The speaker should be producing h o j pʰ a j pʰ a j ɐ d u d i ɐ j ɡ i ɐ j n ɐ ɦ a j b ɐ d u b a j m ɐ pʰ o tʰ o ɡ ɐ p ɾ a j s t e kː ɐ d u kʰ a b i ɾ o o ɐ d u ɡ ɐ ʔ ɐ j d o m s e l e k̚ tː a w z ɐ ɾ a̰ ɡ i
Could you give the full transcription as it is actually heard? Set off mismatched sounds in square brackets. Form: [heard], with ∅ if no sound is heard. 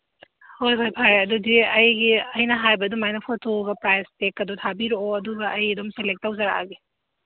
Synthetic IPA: h o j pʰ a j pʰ a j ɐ d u d i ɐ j ɡ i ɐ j n ɐ ɦ a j b ɐ d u [m] a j [n] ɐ pʰ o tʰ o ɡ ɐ p ɾ a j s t e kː ɐ d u [tʰ] a b i ɾ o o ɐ d u ɡ ɐ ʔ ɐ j d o m s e l e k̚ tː a w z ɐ ɾ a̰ ɡ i